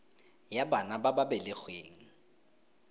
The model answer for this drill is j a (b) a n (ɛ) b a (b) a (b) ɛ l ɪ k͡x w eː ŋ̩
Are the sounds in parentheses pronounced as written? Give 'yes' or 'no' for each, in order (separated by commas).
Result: yes, no, yes, yes